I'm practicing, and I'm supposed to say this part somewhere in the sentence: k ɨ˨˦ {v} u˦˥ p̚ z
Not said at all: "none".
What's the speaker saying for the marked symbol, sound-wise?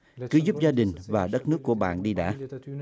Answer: z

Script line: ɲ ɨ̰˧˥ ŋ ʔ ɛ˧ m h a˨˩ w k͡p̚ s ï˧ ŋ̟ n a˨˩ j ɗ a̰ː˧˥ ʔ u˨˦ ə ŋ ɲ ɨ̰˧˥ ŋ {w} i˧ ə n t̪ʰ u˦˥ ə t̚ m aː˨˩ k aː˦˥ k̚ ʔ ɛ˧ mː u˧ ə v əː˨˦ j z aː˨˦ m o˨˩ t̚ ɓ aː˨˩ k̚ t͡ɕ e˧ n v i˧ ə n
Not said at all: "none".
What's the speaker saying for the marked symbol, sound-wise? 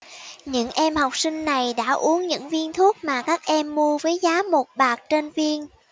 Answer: v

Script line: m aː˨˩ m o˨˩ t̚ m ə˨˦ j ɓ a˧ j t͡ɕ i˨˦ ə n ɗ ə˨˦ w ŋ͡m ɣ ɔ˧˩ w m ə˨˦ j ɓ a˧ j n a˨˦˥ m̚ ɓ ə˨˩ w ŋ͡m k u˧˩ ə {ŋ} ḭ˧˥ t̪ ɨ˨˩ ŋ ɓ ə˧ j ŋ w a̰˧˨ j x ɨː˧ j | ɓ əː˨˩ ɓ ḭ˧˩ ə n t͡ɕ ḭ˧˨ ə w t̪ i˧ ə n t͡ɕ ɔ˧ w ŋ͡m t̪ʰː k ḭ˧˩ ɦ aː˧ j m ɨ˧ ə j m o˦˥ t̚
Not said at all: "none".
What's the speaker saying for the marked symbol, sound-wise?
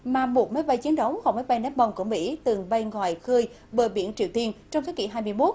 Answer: m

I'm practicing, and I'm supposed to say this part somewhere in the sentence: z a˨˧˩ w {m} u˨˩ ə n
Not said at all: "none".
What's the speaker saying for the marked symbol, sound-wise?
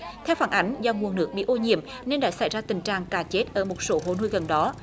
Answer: ŋ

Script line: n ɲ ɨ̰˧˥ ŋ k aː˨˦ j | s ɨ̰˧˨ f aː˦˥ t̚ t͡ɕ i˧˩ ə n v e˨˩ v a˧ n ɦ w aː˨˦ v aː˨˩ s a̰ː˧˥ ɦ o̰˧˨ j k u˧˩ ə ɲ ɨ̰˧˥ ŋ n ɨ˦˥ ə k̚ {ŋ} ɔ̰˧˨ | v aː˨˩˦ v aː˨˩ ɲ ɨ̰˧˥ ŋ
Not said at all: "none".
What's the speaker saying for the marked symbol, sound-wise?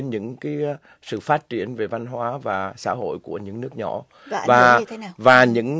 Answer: ɲ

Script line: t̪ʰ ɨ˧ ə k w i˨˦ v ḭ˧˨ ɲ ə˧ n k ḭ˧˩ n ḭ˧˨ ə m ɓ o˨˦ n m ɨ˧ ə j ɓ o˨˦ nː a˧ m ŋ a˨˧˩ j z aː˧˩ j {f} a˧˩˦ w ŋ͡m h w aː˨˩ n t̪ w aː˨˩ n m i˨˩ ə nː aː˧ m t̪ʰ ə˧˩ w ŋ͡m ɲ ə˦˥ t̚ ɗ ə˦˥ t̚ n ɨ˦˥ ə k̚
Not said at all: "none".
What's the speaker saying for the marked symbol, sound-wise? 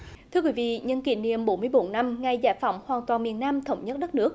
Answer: f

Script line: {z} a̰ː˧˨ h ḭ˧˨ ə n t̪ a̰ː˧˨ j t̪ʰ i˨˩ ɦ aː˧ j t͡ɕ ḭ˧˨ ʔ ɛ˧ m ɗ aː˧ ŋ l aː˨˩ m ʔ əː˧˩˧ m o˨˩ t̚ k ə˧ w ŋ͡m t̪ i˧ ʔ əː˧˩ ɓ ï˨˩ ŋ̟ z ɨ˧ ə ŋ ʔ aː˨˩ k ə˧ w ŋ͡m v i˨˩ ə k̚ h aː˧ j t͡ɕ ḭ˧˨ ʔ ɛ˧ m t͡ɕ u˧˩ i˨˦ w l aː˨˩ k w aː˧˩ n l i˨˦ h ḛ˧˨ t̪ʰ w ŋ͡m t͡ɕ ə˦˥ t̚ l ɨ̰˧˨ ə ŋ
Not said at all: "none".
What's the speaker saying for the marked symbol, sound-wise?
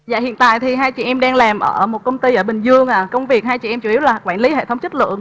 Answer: z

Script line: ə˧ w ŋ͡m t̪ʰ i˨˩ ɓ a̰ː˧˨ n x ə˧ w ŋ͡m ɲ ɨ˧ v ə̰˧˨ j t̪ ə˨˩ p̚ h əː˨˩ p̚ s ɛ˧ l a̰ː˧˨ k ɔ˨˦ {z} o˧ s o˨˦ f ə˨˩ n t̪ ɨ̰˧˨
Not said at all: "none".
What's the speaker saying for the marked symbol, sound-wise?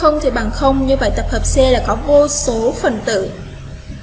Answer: v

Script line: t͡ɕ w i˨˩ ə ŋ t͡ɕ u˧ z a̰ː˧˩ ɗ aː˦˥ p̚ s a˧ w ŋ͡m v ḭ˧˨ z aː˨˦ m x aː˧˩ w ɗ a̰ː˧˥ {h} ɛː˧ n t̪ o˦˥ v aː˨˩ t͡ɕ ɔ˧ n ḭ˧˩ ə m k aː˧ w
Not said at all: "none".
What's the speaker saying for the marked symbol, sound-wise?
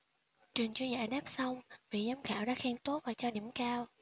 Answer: x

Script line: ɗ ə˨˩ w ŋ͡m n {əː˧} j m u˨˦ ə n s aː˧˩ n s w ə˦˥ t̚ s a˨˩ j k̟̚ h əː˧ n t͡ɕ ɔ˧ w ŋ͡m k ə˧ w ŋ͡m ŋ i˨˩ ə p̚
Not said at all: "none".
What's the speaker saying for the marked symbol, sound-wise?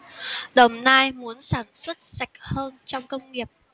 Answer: aː˧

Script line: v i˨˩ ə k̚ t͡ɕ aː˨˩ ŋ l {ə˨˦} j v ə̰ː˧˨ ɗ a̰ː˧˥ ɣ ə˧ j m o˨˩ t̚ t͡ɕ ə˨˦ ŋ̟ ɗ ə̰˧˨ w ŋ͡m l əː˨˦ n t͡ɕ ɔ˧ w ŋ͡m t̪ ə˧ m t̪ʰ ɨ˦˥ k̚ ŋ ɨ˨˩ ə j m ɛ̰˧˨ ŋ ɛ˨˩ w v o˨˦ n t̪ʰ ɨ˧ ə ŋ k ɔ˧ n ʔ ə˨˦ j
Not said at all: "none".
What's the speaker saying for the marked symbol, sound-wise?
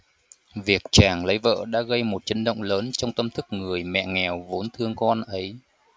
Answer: ə˨˦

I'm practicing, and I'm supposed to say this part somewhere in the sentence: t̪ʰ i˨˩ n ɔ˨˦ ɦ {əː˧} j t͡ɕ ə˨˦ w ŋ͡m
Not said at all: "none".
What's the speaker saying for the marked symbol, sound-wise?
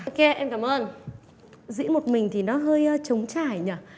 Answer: əː˧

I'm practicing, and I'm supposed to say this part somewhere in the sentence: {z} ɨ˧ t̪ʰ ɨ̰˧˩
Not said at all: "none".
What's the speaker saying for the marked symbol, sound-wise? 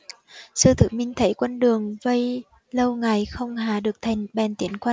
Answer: s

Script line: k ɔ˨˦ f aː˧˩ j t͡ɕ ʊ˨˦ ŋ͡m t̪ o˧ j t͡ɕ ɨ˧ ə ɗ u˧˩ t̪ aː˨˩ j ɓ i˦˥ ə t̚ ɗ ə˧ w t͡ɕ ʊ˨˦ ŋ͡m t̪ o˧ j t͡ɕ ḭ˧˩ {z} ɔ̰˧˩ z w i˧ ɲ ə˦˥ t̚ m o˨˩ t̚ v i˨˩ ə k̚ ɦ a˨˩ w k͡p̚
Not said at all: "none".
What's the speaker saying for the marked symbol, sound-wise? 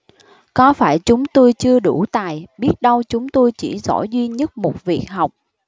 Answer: z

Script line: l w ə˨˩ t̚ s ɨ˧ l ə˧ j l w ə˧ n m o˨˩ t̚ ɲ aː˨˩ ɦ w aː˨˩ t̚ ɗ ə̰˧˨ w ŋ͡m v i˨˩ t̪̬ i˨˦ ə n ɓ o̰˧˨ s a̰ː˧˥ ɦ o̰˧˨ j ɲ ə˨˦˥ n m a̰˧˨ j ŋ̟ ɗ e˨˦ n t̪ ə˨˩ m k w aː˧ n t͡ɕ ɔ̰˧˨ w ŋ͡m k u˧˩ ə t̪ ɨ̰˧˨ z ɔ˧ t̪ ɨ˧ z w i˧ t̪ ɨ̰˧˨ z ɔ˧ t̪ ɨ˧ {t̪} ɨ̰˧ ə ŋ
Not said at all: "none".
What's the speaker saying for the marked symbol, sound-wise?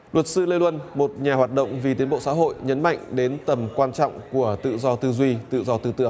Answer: t̪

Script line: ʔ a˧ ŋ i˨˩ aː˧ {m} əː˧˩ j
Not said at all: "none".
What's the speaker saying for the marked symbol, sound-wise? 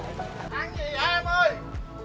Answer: m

